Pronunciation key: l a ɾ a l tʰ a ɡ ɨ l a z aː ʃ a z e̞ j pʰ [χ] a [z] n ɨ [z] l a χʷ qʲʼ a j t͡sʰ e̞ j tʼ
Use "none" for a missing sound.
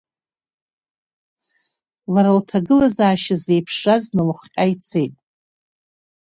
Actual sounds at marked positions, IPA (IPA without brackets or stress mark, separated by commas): ʂ, z, none